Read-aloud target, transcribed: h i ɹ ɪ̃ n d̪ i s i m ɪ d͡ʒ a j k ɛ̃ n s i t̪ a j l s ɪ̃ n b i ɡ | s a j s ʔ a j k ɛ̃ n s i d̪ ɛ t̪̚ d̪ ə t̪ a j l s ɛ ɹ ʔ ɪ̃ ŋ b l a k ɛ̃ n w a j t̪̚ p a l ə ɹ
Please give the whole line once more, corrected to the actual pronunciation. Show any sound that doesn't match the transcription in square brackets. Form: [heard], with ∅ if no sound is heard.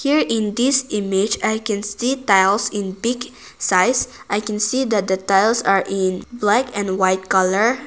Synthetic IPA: h i ɹ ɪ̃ n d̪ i s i m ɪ d͡ʒ a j k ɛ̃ n s i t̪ a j l s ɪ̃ n b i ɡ | s a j s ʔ a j k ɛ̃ n s i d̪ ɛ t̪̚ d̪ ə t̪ a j l s [a] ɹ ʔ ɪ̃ [n] b l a k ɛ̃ n w a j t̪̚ [k] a l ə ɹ